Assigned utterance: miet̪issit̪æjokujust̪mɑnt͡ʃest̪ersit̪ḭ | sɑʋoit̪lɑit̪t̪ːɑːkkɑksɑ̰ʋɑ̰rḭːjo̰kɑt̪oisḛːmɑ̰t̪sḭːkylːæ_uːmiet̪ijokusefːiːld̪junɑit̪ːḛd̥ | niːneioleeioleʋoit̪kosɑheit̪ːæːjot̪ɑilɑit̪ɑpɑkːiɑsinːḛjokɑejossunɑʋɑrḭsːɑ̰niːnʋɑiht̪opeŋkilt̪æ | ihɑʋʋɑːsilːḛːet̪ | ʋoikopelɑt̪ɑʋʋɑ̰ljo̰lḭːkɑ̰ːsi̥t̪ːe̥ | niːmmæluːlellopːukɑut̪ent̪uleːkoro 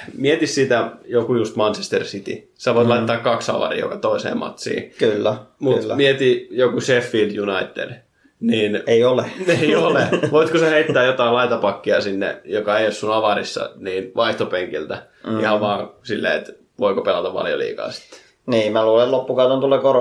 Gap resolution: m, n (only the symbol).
m